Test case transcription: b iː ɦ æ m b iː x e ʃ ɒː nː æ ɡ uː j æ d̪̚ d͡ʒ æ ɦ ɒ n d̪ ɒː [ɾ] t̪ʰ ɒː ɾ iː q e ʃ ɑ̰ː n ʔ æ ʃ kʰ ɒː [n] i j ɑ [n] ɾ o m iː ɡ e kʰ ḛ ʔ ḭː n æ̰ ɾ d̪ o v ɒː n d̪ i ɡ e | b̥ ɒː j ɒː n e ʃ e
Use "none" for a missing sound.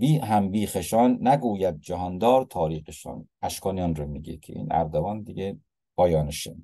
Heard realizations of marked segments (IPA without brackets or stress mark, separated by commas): ɾ, n, n